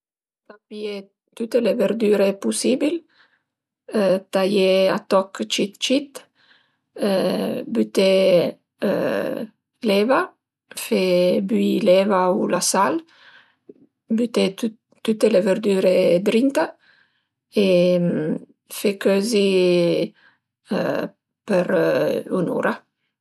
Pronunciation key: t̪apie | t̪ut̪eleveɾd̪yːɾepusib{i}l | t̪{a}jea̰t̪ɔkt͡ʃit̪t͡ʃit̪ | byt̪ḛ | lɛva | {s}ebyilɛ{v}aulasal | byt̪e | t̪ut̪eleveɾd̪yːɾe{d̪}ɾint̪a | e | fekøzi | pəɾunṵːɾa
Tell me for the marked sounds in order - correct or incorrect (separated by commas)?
correct, correct, incorrect, correct, correct